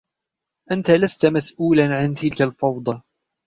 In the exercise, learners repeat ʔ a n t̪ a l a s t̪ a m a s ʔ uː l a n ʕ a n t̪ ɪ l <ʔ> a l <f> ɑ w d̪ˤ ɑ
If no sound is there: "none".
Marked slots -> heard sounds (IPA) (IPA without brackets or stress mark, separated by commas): k, f